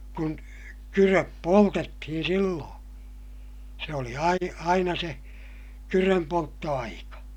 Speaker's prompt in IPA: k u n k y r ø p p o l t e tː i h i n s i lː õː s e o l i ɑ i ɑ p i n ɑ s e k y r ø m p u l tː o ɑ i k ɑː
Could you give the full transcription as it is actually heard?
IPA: k u n k y r ø p p o l t e tː i h i n s i lː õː s e o l i ɑ i ɑ i n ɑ s e k y r ø m p o l tː o ɑ i k ɑ